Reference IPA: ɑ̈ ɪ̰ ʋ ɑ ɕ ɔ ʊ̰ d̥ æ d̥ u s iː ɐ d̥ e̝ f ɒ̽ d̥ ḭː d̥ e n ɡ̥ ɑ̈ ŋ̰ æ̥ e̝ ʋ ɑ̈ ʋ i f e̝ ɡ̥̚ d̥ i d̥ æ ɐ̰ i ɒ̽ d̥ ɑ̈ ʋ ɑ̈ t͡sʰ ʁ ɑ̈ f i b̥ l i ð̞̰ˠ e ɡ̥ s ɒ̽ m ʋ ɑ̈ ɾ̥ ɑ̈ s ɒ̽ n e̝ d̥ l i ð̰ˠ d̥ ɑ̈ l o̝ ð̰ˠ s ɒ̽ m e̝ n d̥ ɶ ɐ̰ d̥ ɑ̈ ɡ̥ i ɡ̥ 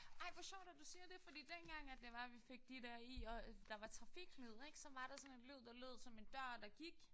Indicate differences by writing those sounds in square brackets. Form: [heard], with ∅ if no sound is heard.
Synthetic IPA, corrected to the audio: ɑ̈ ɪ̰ ʋ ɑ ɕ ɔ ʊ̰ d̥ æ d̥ u s iː ɐ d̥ e̝ f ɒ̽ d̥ ḭː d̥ e n ɡ̥ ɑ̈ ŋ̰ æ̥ e̝ ʋ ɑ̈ ʋ i f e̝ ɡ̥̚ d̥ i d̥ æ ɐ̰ i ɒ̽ d̥ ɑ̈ ʋ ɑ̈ t͡sʰ ʁ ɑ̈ f i [ɡ̥] l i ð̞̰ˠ e ɡ̥ s ɒ̽ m ʋ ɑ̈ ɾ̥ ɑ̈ s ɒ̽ n e̝ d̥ l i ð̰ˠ d̥ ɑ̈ l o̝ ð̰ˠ s ɒ̽ m e̝ n d̥ ɶ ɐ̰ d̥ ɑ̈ ɡ̥ i ɡ̥